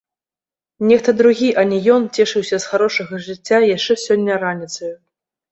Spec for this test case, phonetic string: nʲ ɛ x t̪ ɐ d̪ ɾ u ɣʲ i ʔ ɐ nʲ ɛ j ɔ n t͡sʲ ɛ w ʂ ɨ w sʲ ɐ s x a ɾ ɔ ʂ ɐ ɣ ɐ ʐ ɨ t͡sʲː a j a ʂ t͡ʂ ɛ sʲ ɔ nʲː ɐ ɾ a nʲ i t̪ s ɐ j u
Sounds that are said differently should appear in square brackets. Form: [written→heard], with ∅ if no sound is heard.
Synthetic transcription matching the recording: nʲ ɛ x t̪ ɐ d̪ ɾ u ɣʲ i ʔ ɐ nʲ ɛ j ɔ n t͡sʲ ɛ [w→∅] ʂ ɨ w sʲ ɐ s x a ɾ ɔ ʂ ɐ ɣ ɐ ʐ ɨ t͡sʲː a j a ʂ t͡ʂ ɛ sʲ ɔ nʲː ɐ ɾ a nʲ i t̪ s ɐ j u